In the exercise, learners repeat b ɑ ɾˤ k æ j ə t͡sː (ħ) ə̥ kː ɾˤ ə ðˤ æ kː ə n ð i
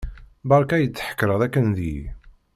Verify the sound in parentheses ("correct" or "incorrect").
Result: correct